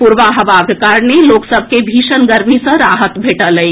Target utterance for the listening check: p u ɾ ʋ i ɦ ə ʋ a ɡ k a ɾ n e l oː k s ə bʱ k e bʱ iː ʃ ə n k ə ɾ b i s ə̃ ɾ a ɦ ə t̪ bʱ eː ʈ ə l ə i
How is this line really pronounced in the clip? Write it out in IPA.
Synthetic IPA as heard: p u ɾ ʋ a ɦ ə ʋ a ɡ k a ɾ n e l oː k s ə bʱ k e bʱ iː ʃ ə n ɡ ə ɾ m i s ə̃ ɾ a ɦ ə t̪ bʱ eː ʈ ə l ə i